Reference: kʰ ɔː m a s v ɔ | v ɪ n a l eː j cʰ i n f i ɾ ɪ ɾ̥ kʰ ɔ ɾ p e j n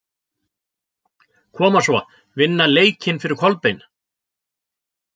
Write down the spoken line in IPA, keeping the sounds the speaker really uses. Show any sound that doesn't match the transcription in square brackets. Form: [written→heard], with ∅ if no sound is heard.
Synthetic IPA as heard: kʰ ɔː m a s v ɔ | v ɪ [n→nː] a l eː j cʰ [i→ɪ] n f [i→ɪ] ɾ ɪ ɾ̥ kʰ ɔ [ɾ→l] p e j n